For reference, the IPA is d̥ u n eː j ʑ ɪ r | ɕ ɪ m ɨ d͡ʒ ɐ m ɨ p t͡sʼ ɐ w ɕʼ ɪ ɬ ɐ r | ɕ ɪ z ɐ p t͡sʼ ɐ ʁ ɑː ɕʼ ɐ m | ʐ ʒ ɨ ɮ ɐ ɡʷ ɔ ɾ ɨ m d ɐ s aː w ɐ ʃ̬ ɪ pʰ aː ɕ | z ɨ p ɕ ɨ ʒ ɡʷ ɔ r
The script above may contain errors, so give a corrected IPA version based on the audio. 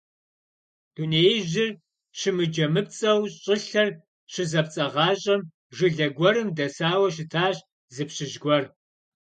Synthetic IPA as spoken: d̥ u n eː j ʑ ɪ r | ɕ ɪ m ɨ d͡ʒ ɐ m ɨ p t͡sʼ ɐ w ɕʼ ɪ ɬ ɐ r | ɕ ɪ z ɐ p t͡sʼ ɐ ʁ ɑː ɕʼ ɐ m | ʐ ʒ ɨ ɮ ɐ ɡʷ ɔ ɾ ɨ m d ɐ s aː w ɐ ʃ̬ ɪ tʰ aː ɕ | z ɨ p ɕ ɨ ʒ ɡʷ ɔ r